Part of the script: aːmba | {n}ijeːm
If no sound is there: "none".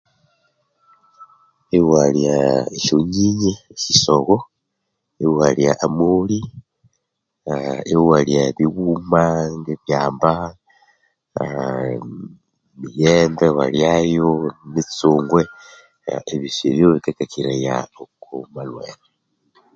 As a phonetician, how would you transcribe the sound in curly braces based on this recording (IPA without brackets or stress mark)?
m